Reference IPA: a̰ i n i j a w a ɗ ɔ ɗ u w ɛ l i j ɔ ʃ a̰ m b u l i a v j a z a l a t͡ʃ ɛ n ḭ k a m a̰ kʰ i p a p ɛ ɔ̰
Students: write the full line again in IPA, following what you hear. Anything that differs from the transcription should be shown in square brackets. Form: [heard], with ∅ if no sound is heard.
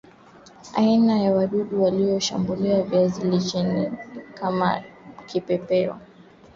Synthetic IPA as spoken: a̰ i n [a] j a w a ɗ [u] ɗ u w [a] l i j ɔ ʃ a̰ m b u l i a v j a z [i] l [i] t͡ʃ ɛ n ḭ k a m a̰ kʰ i p [ɛ] p ɛ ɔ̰